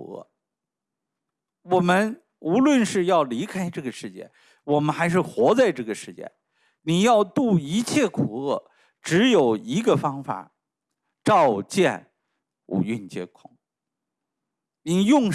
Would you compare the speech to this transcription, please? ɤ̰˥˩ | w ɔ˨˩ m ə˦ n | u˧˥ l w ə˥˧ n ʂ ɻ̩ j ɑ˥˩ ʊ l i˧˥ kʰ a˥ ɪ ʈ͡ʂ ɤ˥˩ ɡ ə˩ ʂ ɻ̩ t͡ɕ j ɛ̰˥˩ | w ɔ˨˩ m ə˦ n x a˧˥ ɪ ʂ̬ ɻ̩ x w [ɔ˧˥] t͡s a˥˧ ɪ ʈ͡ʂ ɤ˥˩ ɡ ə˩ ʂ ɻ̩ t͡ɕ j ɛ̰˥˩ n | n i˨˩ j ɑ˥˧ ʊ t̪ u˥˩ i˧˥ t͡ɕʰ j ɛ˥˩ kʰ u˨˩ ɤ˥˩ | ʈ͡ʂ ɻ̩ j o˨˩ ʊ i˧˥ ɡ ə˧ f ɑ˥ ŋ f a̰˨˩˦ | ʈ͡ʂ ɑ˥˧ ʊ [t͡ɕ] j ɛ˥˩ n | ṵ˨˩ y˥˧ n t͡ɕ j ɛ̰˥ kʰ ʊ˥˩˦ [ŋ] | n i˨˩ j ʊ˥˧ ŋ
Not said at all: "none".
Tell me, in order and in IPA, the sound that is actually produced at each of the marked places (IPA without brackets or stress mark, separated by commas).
ɔ˧˥, t͡ɕ, ŋ